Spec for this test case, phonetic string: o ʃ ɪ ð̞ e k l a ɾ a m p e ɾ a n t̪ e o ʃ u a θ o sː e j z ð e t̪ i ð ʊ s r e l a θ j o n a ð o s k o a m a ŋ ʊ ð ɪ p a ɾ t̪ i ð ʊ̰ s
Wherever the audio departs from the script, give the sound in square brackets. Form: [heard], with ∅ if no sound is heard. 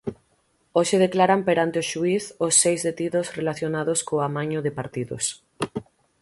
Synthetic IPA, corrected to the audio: o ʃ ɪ ð̞ e k l a ɾ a m p e ɾ a n t̪ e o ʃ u [i] θ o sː e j z ð e t̪ i ð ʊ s r e l a θ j o n a ð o s k o a m a [ɲ] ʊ ð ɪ p a ɾ t̪ i ð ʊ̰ s